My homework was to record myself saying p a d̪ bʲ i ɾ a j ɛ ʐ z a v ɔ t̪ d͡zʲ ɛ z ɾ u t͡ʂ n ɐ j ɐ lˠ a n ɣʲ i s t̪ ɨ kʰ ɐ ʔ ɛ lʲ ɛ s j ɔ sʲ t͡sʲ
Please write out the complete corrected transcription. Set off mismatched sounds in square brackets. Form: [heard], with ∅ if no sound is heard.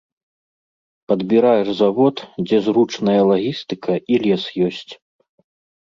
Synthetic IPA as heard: p [ɐ] d̪ bʲ i ɾ a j ɛ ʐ z a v ɔ t̪ d͡zʲ ɛ z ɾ u t͡ʂ n ɐ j ɐ lˠ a [∅] ɣʲ i s t̪ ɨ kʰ ɐ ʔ [i] lʲ ɛ s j ɔ sʲ t͡sʲ